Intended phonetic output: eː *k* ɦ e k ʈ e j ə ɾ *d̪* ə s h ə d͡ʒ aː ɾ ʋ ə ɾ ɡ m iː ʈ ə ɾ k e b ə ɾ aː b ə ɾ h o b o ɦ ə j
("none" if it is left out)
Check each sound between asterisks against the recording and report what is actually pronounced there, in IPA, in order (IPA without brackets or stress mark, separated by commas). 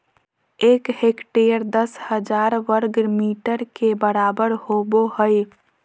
k, d̪